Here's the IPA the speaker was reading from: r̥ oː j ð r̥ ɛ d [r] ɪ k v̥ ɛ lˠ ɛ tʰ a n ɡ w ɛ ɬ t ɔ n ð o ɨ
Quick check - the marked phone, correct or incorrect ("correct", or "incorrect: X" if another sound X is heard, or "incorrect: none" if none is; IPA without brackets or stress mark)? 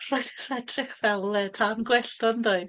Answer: correct